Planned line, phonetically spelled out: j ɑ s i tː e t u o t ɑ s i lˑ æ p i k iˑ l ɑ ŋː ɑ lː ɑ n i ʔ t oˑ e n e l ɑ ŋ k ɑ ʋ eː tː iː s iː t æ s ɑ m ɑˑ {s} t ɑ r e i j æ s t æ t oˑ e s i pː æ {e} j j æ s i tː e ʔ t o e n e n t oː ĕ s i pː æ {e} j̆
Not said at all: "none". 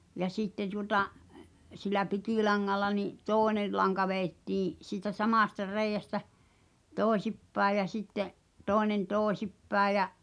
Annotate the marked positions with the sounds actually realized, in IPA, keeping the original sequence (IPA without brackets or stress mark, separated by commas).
s, e, e